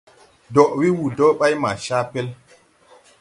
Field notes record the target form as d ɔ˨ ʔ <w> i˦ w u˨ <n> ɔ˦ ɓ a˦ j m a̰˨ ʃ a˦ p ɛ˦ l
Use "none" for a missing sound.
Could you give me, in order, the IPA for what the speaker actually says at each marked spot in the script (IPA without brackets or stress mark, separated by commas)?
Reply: w, d